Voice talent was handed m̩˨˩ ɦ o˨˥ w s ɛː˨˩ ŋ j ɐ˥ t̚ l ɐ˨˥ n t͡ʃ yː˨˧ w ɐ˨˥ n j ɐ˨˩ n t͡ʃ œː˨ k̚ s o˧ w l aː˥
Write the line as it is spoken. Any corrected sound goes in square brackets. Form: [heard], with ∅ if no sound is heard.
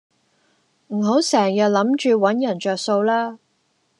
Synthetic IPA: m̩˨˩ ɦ o˨˥ w s ɛː˨˩ ŋ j [ɐ˨] t̚ l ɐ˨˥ [m] t͡ʃ yː˨˧ w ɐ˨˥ n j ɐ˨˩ n t͡ʃ œː˨ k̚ s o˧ w l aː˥